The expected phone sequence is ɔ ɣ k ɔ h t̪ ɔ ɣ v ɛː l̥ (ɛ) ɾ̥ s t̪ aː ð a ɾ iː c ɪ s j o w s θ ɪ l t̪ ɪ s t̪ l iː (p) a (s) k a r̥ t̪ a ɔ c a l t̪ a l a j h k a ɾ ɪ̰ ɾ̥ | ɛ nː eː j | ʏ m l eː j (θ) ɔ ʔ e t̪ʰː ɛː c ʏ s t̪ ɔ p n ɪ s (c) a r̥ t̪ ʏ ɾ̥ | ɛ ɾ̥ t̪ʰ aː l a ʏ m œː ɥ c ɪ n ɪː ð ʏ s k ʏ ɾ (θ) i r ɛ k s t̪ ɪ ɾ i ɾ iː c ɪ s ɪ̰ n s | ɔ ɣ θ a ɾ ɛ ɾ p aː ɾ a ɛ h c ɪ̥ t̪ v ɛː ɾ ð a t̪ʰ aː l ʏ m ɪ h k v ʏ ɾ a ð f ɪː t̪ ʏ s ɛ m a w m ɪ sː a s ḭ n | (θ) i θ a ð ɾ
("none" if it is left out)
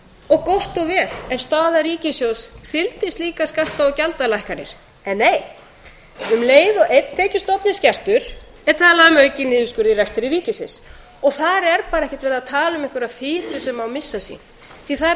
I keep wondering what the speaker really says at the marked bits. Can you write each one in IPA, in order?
ɛ, k, s, ð, c, ð, θ

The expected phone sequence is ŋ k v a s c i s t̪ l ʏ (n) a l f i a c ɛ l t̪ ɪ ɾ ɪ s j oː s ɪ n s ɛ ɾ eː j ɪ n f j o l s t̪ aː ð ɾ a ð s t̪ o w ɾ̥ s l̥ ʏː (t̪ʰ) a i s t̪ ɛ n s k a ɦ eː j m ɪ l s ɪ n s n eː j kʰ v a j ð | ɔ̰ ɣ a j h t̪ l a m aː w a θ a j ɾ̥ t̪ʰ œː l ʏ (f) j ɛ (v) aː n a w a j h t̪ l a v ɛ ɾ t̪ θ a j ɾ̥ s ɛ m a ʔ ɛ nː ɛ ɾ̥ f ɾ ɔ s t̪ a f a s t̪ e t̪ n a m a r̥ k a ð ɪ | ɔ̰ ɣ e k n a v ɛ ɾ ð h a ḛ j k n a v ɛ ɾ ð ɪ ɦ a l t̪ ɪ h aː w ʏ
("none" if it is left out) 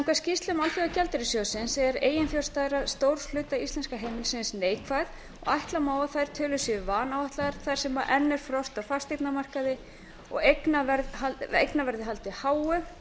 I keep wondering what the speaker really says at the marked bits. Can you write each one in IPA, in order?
m, t̪, s, v

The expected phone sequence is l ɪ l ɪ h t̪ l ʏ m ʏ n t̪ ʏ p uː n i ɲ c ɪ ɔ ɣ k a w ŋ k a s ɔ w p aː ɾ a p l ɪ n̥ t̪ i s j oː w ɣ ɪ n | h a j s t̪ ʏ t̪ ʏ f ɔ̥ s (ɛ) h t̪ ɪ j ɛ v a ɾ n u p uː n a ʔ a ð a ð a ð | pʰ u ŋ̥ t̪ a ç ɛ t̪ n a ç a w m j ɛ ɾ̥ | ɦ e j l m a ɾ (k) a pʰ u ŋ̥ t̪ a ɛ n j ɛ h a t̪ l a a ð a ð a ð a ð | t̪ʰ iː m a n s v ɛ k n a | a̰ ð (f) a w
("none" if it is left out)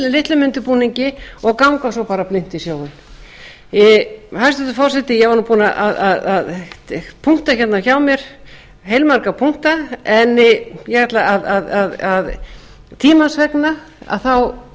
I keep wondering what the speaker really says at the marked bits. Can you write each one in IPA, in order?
ɛ, k, θ

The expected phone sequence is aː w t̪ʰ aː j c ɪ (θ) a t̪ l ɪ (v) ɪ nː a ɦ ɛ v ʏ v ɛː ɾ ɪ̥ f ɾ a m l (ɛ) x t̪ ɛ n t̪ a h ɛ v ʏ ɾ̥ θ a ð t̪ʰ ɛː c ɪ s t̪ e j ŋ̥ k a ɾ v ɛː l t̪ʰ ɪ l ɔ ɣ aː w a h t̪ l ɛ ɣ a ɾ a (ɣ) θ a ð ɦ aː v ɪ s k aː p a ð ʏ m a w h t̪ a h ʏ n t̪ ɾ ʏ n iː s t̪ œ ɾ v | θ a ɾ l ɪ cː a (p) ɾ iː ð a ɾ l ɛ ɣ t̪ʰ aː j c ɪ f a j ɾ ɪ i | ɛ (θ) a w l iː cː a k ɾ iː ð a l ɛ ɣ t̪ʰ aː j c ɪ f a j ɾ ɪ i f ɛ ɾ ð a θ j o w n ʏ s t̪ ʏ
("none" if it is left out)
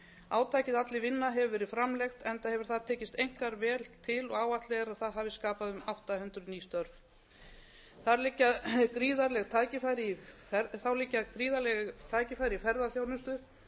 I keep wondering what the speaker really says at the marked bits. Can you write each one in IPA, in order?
ð, v, ɛ, ð, k, θ

